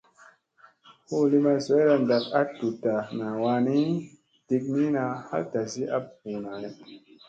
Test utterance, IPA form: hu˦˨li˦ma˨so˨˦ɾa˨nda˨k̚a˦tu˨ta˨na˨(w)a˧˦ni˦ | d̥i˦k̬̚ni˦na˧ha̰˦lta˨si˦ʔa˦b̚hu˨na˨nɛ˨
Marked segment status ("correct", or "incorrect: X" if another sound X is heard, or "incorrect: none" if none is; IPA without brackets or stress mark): correct